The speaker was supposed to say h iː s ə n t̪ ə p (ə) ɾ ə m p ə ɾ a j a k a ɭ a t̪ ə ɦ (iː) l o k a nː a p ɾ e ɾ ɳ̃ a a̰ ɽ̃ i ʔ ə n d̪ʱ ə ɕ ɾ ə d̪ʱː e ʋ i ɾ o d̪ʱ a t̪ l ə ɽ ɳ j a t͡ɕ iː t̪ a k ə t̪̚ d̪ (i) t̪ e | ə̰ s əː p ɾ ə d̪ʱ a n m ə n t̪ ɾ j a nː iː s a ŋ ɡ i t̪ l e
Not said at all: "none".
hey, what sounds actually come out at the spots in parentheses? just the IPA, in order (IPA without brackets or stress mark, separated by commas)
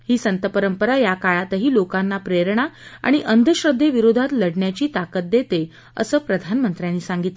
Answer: ə, iː, e